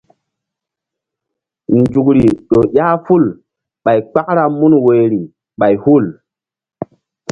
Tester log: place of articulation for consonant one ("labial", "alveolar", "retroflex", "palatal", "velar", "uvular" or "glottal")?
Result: alveolar